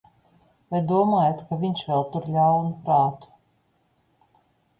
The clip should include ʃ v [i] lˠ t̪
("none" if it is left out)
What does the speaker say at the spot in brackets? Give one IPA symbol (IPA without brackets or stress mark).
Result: ɛ